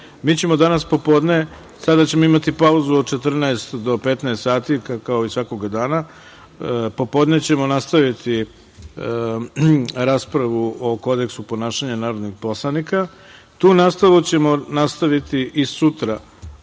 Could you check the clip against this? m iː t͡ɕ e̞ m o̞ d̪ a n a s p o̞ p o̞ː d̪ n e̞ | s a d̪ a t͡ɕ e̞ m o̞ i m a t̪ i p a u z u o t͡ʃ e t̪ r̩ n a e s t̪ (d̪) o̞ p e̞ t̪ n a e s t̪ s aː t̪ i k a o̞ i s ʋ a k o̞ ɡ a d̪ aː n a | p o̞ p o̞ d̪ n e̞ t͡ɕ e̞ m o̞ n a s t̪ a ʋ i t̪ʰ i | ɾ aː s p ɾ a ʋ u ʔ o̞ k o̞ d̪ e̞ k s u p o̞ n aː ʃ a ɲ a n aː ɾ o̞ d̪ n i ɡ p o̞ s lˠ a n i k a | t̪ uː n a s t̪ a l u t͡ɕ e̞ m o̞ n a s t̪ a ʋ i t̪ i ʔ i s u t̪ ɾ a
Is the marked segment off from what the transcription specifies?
no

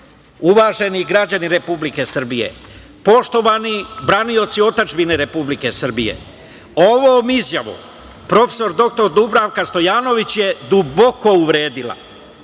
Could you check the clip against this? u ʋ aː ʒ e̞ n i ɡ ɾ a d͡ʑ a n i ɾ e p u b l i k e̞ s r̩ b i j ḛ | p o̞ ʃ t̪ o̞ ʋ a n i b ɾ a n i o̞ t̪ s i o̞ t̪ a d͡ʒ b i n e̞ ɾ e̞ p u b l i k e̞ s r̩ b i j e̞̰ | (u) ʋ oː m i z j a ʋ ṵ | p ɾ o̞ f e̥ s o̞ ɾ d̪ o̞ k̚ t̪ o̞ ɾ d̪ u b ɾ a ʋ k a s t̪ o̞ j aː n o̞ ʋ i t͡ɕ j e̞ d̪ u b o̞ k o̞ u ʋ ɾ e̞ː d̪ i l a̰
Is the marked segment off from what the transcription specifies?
yes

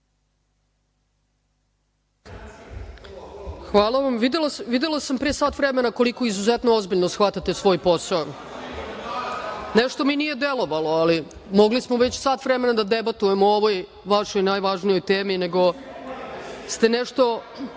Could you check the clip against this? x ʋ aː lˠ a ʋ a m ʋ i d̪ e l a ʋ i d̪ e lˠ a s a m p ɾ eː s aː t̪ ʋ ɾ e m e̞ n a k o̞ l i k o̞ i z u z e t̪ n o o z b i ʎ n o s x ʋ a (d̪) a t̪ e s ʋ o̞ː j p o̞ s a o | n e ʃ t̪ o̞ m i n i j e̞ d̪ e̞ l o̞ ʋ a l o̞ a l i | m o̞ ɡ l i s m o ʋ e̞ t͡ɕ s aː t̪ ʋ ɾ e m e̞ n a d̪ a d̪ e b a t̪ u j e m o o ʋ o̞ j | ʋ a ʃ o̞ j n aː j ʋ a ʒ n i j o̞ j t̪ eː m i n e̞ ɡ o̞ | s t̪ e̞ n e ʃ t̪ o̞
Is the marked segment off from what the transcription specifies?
yes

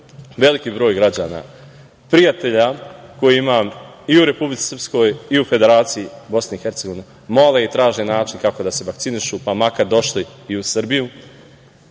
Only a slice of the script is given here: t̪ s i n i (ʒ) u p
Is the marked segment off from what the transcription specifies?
yes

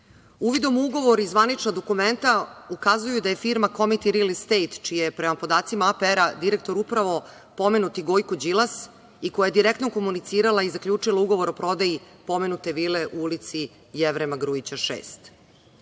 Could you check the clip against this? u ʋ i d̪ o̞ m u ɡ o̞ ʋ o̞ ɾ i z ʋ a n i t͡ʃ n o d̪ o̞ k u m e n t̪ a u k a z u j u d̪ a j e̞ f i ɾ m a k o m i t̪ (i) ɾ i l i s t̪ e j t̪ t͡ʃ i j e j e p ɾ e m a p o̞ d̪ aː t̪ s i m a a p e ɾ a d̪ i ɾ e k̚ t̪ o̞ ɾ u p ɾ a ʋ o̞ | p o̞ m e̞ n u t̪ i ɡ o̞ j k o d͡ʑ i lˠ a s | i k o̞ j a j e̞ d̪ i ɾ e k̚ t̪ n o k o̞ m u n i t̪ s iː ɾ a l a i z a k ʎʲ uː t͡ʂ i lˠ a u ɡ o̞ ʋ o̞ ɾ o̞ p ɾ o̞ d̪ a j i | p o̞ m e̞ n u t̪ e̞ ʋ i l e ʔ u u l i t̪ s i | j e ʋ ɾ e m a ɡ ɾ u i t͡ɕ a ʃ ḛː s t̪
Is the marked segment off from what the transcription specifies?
no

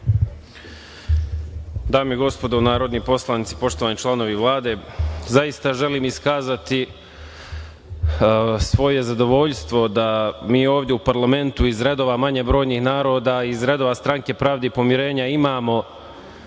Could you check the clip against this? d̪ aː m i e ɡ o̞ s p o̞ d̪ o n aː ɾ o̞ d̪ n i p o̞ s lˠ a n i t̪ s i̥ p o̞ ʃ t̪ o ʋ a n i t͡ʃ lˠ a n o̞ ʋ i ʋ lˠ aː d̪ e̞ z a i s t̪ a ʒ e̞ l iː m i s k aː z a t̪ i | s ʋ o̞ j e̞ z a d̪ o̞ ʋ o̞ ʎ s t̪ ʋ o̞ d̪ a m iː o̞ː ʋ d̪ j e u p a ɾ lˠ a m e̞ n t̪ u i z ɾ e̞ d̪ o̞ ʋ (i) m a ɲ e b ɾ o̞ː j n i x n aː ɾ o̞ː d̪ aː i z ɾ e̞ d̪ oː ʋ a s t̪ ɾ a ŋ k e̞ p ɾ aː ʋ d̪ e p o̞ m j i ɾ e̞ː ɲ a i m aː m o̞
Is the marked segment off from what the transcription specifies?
yes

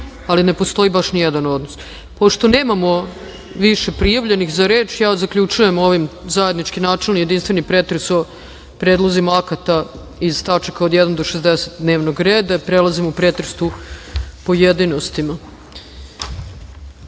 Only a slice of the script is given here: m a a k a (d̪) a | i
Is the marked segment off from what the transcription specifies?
yes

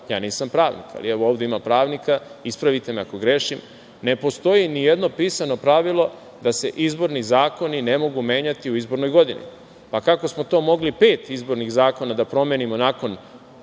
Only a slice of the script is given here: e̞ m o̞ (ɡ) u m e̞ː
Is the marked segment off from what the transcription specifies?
no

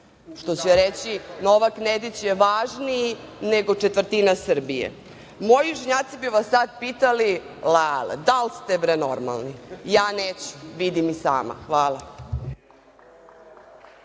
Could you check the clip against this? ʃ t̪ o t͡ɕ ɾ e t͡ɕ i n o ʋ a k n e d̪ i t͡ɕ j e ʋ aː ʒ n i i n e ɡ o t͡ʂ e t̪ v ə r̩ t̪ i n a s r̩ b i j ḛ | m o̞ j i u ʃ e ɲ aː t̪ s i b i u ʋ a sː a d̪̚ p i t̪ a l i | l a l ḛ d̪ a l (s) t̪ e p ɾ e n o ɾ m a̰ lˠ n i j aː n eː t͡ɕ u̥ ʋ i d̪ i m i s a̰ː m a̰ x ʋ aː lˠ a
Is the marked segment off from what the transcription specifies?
no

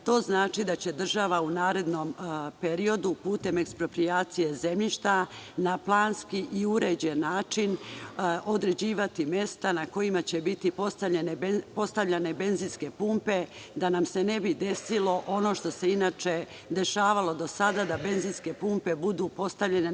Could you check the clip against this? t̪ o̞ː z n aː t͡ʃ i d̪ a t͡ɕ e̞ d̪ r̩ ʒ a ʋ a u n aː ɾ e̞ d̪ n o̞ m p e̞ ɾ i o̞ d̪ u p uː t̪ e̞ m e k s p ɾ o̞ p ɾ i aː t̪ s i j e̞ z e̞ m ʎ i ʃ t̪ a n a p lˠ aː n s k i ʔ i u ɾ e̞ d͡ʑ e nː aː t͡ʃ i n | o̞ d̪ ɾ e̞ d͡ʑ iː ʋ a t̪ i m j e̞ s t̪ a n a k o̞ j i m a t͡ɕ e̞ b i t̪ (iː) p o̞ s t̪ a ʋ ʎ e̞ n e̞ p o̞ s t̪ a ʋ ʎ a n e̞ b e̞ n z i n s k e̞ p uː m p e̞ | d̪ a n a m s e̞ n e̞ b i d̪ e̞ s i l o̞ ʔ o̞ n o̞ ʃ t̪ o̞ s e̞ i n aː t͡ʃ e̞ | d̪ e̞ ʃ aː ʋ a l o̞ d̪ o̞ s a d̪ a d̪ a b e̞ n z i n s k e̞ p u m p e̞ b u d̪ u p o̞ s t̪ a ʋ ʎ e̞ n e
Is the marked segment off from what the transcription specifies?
yes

